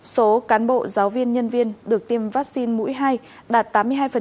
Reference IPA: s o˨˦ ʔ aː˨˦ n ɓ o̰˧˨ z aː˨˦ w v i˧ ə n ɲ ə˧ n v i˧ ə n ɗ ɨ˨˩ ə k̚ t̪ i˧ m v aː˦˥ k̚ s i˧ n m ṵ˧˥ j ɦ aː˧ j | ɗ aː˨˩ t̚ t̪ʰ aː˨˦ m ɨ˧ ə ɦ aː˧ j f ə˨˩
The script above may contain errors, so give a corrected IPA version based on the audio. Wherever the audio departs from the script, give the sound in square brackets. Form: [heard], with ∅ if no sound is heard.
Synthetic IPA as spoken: s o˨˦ [k] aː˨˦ n ɓ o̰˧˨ z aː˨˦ w v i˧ ə n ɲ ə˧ n v i˧ ə n ɗ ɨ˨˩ ə k̚ t̪ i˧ m v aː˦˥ k̚ s i˧ n m ṵ˧˥ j ɦ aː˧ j | ɗ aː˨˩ t̚ [t̪] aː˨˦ m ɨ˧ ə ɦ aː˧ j f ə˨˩